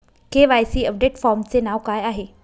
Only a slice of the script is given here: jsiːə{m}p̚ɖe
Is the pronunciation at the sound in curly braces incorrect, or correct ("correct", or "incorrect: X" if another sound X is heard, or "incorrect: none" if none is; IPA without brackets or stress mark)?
incorrect: none